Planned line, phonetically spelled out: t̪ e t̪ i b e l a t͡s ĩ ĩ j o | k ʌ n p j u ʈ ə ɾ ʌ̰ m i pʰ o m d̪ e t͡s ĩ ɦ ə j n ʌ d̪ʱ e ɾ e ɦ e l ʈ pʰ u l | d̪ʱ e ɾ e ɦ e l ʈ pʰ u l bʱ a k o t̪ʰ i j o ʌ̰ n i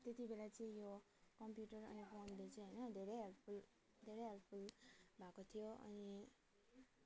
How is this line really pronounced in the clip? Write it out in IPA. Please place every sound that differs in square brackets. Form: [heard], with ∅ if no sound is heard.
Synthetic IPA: t̪ e t̪ i b e l a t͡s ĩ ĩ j o | k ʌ [m] p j u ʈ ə ɾ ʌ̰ [n] i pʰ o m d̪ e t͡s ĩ ɦ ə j n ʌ d̪ʱ e ɾ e ɦ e l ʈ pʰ u l | d̪ʱ e ɾ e ɦ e l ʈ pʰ u l bʱ a k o t̪ʰ i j o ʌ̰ n i